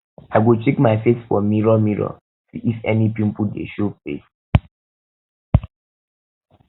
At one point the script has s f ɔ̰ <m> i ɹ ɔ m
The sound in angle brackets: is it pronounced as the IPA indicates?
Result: yes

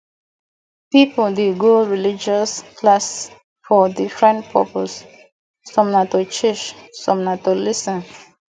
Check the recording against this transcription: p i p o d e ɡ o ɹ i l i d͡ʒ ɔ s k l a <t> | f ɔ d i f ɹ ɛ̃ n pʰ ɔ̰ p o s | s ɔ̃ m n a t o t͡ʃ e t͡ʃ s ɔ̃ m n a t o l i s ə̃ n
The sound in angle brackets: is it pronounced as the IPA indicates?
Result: no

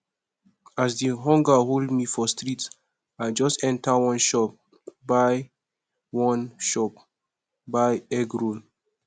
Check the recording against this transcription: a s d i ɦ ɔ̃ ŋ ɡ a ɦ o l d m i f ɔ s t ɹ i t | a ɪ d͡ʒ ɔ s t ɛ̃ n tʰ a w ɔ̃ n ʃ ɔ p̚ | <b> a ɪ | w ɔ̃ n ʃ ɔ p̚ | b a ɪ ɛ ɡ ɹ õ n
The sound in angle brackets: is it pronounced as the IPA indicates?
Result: yes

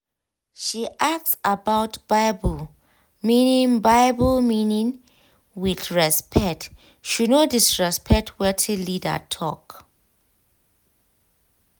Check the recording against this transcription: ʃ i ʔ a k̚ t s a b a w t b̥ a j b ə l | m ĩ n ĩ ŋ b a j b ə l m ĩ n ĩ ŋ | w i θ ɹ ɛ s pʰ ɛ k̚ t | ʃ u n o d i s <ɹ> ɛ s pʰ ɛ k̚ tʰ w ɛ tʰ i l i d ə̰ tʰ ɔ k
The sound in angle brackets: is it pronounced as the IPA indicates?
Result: yes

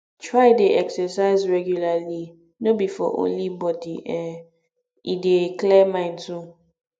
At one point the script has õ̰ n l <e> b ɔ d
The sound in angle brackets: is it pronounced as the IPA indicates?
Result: no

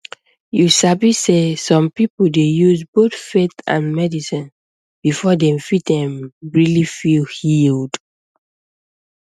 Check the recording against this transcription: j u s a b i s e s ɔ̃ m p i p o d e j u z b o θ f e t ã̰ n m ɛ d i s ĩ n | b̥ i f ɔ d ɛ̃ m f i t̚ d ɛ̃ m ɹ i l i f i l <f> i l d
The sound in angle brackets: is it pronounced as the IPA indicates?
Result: no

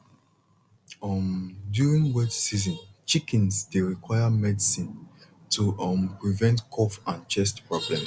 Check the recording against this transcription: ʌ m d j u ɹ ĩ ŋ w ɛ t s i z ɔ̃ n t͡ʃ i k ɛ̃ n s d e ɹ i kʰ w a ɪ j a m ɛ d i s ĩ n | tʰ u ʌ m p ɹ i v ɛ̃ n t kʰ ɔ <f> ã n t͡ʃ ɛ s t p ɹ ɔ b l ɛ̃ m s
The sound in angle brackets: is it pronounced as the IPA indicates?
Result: yes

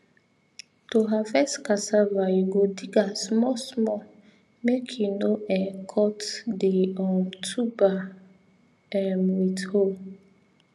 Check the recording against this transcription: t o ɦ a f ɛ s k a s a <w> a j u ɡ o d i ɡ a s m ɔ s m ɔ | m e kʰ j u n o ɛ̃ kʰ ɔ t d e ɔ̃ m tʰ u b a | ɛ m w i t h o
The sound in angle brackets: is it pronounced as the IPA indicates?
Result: no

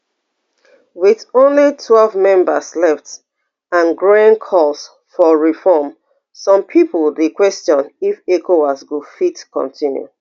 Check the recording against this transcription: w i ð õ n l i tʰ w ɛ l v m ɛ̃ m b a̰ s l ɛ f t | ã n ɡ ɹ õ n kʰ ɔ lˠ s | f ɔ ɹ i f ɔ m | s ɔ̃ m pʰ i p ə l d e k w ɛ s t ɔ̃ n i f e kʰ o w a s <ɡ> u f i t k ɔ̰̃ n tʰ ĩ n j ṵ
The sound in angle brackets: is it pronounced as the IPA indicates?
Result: yes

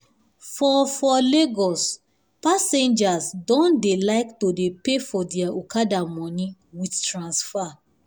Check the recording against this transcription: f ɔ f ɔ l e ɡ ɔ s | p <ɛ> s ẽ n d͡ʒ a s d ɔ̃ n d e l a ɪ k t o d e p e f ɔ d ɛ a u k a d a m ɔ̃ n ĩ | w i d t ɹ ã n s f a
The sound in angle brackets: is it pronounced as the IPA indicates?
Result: no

